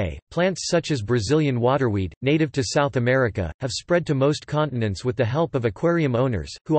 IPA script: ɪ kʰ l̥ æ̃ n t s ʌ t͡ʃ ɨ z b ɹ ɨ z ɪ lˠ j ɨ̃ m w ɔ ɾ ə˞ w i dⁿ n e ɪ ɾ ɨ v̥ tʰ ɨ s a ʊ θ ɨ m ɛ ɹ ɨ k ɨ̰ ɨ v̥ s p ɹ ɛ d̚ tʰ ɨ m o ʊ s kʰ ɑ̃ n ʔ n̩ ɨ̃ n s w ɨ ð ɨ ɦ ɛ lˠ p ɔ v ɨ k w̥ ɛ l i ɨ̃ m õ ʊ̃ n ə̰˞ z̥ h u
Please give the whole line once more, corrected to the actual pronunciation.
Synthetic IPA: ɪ pʰ l̥ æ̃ n t s ʌ t͡ʃ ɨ z b ɹ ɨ z ɪ lˠ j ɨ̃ n w ɔ ɾ ə˞ w i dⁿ n e ɪ ɾ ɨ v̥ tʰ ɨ s a ʊ θ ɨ m ɛ ɹ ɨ k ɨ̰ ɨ v̥ s p ɹ ɛ d̚ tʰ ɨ m o ʊ s kʰ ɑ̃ n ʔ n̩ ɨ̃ n s w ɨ ð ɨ ɦ ɛ lˠ p ʌ v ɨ kʰ w̥ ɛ ɹ i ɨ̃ m õ ʊ̃ n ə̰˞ z̥ h u